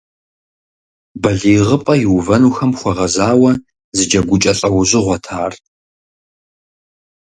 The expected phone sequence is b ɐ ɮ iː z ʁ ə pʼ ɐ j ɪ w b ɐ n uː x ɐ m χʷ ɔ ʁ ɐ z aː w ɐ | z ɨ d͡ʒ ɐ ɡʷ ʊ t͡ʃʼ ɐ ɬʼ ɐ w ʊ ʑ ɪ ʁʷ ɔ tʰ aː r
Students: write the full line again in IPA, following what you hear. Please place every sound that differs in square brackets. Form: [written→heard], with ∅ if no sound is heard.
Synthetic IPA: b ɐ ɮ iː [z→∅] ʁ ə pʼ ɐ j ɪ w [b→v] ɐ n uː x ɐ m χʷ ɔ ʁ ɐ z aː w ɐ | z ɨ d͡ʒ ɐ ɡʷ ʊ t͡ʃʼ ɐ ɬʼ ɐ w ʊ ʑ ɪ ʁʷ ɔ tʰ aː r